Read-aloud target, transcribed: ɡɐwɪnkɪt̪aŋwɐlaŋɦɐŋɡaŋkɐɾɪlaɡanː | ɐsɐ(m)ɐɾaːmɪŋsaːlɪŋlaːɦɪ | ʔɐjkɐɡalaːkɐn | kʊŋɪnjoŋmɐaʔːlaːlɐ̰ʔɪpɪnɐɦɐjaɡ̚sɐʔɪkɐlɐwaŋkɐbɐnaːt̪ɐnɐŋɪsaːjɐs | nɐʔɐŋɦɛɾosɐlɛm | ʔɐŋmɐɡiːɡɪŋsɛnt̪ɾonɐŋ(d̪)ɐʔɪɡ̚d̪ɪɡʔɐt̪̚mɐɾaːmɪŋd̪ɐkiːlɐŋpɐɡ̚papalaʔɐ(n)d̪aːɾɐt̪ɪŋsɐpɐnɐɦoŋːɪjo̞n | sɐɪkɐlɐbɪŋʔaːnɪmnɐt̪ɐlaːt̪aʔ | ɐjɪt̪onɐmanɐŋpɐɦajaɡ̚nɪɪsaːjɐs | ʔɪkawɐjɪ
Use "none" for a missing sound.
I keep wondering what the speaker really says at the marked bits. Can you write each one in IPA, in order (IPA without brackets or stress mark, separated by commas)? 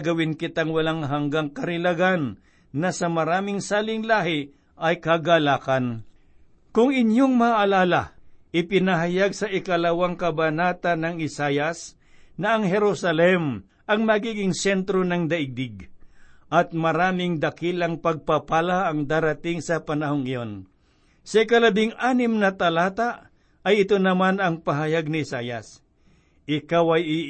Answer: m, d̪, ŋ